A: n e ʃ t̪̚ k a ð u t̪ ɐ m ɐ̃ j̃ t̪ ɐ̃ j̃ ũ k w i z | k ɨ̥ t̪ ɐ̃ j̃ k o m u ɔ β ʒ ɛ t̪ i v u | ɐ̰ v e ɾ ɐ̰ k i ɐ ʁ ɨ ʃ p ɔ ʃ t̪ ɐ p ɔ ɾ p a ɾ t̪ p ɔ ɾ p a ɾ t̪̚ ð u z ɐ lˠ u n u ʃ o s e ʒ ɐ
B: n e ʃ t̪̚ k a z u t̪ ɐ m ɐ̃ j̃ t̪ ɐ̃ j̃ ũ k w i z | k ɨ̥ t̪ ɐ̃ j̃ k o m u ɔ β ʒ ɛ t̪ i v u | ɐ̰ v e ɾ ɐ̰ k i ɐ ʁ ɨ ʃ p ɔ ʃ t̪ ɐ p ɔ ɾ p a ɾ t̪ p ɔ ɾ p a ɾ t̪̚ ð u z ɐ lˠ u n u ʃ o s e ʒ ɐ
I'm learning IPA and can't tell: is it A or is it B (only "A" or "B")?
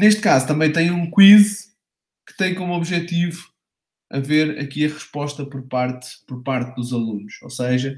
B